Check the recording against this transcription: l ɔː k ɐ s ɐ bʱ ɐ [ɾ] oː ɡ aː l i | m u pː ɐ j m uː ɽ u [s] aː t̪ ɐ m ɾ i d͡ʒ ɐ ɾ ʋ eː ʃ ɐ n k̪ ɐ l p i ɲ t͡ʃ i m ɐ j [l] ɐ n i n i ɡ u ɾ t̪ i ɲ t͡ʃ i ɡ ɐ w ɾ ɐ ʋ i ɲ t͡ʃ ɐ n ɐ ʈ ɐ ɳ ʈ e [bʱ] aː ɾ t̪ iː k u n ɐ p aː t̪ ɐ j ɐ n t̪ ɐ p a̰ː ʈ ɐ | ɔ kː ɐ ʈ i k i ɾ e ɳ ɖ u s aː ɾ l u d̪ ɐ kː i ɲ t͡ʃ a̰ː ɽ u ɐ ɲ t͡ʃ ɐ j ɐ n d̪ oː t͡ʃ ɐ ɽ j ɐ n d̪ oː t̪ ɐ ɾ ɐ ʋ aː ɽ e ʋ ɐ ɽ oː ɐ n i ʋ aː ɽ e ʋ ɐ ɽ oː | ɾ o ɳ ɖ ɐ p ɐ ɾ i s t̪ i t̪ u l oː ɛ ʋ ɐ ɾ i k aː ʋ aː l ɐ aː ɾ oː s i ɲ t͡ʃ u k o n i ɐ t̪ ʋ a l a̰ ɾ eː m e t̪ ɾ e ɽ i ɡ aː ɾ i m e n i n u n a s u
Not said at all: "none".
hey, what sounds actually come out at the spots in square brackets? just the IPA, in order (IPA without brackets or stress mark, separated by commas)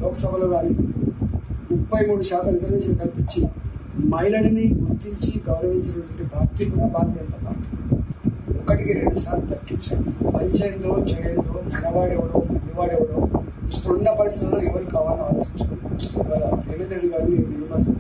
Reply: l, ʃ, l, bʱ